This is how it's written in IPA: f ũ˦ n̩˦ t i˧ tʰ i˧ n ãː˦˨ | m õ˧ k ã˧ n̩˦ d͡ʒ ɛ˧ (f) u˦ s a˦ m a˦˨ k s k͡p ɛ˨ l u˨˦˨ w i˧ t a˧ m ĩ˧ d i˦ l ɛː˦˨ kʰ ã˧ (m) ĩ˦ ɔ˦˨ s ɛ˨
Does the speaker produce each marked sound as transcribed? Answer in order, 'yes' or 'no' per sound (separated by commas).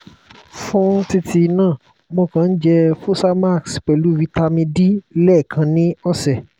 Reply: yes, no